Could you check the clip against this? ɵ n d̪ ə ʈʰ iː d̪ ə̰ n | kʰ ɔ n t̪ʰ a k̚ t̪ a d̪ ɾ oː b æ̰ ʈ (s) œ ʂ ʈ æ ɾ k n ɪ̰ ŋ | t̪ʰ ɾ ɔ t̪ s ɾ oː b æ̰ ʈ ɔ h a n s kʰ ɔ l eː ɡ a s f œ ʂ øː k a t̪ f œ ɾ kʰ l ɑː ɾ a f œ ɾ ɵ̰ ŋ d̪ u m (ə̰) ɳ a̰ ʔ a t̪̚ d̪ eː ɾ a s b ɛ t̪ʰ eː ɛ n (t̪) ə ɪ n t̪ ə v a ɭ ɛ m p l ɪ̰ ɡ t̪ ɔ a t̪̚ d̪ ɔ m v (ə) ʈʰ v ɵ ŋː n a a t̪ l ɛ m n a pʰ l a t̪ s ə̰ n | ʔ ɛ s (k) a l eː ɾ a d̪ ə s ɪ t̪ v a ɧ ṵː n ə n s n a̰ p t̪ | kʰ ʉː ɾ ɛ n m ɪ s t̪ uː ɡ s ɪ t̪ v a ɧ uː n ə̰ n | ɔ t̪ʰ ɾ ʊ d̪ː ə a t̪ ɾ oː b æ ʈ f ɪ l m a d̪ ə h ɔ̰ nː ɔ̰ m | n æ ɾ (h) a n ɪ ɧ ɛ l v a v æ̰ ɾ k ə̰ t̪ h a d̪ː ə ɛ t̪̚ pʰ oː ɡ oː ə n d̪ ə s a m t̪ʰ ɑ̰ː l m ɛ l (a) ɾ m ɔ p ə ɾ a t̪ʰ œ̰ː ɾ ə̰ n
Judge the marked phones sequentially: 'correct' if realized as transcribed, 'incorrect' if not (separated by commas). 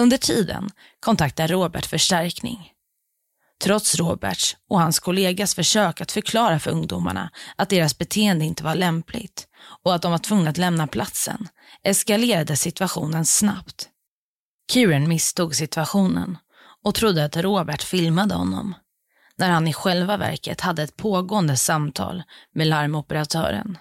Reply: incorrect, incorrect, incorrect, incorrect, correct, correct, correct